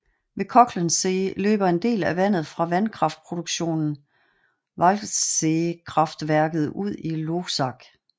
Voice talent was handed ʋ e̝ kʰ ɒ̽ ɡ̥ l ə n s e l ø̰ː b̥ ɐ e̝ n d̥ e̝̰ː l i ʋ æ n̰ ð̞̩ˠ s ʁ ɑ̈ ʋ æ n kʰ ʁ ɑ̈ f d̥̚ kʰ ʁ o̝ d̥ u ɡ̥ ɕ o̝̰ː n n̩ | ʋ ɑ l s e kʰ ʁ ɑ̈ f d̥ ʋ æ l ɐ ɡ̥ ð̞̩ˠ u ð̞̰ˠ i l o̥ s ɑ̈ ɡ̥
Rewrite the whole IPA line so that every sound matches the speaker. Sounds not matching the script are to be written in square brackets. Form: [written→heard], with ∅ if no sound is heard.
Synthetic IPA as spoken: ʋ e̝ kʰ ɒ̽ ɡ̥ l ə n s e l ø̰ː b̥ ɐ e̝ n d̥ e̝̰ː l [i→æ] ʋ æ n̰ ð̞̩ˠ [s→f] ʁ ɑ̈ ʋ æ n kʰ ʁ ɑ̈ f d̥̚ [kʰ→pʰ] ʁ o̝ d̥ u ɡ̥ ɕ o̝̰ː n n̩ | ʋ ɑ l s e kʰ ʁ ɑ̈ f d̥ ʋ æ [l→∅] ɐ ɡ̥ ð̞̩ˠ u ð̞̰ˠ i l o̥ s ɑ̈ ɡ̥